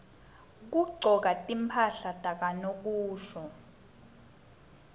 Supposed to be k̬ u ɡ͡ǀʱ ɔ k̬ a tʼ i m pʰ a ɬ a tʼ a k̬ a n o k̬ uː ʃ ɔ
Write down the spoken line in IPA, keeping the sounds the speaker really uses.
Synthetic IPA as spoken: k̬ u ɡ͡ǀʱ ɔ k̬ a tʼ i m pʰ a ɬ a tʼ a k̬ a n o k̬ uː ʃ ɔ